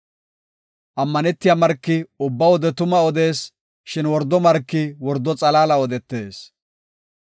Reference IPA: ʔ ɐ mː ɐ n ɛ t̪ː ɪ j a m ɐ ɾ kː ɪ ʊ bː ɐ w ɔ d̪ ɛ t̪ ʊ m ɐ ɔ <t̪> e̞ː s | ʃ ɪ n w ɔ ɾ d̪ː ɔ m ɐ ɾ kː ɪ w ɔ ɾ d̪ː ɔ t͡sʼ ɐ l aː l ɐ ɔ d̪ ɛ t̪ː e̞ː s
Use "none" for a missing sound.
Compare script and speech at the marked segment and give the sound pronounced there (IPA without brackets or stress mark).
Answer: d̪